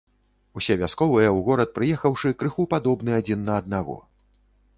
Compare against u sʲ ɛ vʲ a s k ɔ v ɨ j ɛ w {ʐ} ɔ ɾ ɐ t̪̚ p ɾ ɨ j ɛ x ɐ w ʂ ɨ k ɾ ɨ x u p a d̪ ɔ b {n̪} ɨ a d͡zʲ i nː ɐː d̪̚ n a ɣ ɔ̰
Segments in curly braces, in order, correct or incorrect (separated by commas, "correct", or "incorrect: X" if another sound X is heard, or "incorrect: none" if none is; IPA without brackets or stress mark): incorrect: ɣ, correct